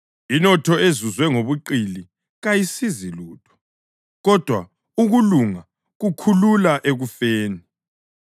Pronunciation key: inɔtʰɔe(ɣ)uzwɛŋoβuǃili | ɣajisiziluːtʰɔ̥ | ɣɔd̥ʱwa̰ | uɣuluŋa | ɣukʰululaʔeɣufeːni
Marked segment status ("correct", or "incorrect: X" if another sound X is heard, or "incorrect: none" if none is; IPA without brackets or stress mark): incorrect: z